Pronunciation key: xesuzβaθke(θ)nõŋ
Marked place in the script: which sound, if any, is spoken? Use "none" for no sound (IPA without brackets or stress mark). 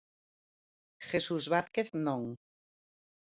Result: θ